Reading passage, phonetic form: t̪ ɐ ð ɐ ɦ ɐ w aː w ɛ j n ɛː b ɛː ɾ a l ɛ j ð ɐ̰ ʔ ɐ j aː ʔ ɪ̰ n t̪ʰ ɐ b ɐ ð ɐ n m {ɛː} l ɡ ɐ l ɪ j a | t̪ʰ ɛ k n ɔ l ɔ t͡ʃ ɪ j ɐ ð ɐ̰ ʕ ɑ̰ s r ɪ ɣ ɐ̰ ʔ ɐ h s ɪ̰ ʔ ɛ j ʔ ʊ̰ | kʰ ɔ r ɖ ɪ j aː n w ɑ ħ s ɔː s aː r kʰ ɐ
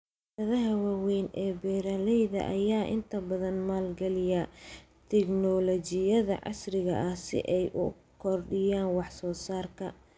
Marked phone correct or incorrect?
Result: incorrect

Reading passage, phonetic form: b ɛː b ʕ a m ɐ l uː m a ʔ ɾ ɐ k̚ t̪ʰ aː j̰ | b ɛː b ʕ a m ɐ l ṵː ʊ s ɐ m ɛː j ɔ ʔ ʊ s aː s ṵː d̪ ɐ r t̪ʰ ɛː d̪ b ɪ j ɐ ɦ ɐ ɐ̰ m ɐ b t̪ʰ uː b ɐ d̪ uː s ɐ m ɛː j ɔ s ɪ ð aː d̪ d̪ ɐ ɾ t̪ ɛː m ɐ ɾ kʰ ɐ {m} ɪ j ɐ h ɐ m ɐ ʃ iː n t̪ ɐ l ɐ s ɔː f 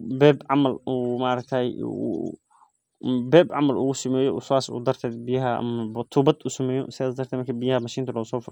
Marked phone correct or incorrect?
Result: incorrect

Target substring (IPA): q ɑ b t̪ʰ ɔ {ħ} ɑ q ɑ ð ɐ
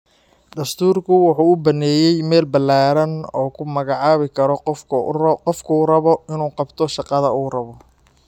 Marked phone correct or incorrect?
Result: incorrect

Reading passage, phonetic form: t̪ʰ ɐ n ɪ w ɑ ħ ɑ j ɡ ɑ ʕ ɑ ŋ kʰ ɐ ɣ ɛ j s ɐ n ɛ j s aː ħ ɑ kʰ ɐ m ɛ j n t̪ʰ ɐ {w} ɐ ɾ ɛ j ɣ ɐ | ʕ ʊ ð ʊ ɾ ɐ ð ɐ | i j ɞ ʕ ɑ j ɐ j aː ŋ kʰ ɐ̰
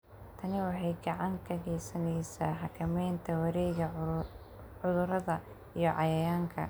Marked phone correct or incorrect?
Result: correct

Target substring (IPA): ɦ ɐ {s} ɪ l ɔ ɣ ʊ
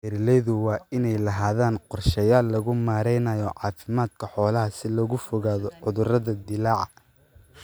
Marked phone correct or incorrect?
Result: correct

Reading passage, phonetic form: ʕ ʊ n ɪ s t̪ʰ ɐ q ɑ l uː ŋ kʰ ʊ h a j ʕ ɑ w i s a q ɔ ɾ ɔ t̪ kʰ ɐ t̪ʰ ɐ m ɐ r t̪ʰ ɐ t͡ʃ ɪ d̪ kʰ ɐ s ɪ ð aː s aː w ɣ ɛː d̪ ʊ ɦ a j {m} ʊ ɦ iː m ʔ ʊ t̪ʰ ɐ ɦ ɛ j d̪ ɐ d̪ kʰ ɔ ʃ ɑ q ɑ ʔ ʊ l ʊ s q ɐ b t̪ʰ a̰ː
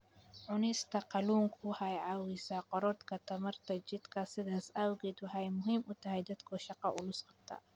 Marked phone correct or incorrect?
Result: correct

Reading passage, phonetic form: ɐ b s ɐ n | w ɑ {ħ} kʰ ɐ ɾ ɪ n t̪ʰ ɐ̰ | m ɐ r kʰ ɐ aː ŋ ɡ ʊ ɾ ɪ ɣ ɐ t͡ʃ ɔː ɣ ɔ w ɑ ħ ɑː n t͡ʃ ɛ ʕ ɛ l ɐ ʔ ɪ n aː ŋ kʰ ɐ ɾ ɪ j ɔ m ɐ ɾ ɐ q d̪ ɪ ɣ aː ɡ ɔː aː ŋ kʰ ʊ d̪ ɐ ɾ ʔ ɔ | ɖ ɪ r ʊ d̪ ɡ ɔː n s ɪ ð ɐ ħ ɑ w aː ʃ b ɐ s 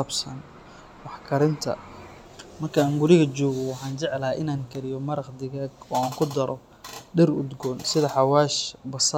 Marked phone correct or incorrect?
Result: correct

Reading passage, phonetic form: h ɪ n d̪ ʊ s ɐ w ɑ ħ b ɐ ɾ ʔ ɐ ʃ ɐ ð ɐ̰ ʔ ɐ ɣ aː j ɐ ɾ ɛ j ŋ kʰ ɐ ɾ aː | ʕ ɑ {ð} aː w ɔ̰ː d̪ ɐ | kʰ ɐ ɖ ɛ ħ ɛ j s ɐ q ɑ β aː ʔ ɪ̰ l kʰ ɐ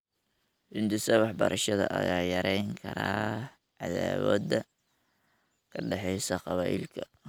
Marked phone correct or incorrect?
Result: correct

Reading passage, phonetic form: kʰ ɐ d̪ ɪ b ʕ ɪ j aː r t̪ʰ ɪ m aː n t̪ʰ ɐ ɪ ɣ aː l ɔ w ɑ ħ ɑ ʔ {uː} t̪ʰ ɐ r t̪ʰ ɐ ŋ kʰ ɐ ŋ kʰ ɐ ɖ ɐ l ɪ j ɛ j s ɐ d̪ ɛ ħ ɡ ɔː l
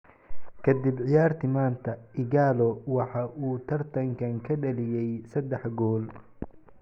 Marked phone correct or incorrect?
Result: correct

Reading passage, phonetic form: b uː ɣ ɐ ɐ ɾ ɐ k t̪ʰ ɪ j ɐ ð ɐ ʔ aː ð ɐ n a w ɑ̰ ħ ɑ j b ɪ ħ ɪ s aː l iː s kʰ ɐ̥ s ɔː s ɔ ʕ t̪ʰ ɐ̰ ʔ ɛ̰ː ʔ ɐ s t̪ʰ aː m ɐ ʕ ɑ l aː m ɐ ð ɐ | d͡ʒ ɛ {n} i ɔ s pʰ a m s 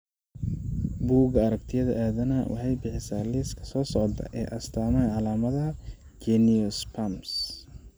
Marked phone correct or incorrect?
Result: correct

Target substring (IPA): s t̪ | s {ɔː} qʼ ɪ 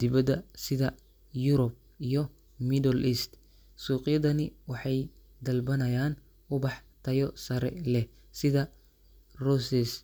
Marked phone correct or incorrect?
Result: incorrect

